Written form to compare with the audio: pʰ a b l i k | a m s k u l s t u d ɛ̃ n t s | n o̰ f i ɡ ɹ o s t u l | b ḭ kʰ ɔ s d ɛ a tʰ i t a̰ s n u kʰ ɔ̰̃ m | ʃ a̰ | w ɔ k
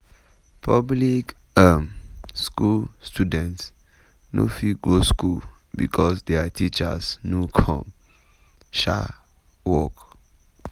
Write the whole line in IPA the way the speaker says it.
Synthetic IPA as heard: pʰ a b l i k | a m s k u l s t u d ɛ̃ n t s | n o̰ f i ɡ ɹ o s k u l | b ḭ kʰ ɔ s d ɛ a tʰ i t͡ʃ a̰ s n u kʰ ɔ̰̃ m | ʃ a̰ | w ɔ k